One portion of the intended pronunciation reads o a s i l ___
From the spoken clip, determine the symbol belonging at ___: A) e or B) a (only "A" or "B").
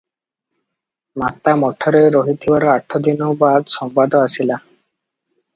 B